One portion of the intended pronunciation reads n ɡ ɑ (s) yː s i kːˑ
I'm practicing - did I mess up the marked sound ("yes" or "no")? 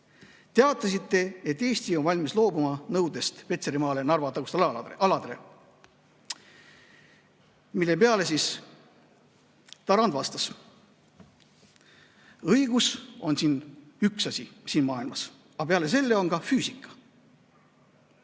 yes